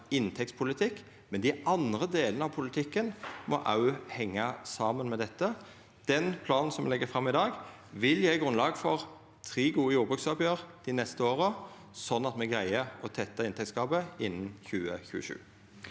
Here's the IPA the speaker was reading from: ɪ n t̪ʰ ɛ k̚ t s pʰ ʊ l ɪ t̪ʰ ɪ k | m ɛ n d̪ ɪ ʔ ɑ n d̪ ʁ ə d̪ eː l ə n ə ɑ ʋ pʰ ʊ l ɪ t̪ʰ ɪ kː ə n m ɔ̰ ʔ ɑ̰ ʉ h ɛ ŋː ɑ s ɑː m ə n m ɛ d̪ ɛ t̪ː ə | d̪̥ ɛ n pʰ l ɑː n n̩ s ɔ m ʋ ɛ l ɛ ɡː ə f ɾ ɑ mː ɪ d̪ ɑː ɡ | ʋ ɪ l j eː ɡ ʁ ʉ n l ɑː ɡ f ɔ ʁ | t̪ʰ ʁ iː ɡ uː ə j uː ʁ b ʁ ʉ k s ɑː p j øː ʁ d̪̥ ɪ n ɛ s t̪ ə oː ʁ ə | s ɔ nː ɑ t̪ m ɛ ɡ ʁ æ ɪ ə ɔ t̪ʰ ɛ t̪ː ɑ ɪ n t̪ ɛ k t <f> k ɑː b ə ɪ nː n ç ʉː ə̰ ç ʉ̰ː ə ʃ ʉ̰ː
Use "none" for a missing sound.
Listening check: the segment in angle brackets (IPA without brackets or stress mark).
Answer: s